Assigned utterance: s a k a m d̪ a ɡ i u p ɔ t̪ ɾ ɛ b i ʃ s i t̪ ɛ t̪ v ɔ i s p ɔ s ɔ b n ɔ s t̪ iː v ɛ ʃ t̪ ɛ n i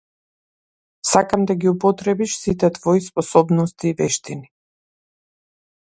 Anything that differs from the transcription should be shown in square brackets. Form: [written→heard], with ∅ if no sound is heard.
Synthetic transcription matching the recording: s a k a m d̪ a ɡ i u p ɔ t̪ ɾ ɛ b i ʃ s i t̪ ɛ t̪ v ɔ i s p ɔ s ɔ b n ɔ s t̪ iː v ɛ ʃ t̪ [ɛ→i] n i